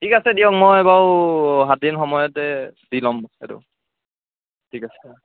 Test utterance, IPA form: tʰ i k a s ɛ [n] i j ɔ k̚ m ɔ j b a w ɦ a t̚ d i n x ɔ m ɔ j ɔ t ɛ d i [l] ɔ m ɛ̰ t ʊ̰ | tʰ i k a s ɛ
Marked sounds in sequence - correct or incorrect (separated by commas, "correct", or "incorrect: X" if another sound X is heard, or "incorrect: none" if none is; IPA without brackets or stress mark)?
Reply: incorrect: d, correct